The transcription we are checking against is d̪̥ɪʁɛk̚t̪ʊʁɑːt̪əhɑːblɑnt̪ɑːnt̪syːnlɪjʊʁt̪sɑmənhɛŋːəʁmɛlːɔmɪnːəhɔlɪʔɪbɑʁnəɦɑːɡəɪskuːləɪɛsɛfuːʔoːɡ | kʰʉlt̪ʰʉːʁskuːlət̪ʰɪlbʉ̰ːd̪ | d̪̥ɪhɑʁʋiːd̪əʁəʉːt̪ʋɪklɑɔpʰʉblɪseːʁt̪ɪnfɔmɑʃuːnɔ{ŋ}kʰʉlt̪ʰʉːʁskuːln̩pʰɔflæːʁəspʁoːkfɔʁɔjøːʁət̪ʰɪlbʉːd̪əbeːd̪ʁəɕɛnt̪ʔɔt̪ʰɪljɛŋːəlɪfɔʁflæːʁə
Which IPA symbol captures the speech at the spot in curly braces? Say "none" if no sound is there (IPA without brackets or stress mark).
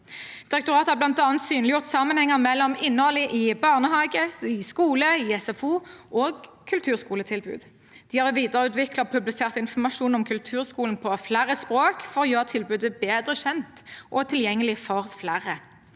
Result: m